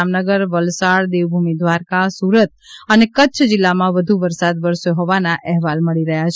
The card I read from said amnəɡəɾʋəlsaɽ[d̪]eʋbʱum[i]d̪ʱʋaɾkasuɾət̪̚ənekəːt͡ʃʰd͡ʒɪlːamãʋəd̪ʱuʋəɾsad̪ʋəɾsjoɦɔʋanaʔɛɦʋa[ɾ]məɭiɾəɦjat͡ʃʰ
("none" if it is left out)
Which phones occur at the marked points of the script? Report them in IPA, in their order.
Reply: d̪, i, l

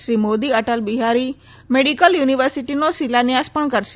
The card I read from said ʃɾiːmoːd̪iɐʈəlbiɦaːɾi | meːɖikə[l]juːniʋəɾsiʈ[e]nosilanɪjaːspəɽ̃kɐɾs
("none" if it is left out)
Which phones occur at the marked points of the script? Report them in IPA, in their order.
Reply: l, i

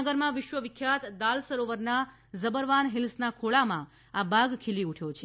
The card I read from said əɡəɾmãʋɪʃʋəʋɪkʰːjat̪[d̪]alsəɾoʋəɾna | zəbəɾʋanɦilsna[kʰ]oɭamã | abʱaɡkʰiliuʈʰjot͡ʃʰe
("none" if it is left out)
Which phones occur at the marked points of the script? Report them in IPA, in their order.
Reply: d̪, kʰ

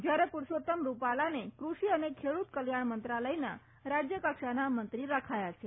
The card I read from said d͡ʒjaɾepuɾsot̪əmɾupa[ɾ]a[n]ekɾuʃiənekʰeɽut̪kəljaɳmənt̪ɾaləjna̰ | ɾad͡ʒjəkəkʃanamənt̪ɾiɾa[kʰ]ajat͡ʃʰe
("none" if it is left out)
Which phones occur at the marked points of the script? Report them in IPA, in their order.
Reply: l, n, kʰ

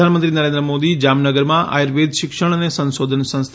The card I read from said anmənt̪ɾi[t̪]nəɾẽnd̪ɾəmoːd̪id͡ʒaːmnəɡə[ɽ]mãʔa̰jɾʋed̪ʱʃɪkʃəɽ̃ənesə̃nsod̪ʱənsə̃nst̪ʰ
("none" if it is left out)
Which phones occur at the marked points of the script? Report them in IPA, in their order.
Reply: none, ɾ

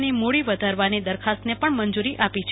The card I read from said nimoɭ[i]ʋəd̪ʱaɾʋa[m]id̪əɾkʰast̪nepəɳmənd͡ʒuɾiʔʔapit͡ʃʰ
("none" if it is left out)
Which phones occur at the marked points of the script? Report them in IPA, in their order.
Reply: i, n

